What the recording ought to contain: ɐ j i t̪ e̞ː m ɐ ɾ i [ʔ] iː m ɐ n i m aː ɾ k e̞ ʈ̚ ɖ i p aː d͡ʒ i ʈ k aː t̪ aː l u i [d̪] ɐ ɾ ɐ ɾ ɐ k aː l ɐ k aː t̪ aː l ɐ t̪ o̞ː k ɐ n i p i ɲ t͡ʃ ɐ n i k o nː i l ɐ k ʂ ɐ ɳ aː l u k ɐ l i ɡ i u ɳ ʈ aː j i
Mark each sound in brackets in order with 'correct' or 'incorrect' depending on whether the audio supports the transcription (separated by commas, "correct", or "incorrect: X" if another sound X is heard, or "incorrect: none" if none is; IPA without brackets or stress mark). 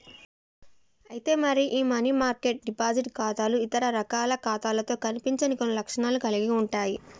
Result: correct, incorrect: t̪